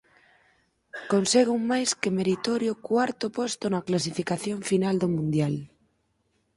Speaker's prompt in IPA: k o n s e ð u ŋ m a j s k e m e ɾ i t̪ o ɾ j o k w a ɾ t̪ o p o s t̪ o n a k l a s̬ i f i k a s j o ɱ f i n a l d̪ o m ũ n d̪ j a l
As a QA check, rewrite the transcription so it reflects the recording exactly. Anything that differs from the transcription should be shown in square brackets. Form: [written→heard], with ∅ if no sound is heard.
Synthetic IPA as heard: k o n s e [ð→ɣ] u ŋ m a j s k e m e ɾ i t̪ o ɾ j o k w a ɾ t̪ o p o s t̪ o n a k l a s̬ i f i k a [s→θ] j o ɱ f i n a l d̪ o m ũ n d̪ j a l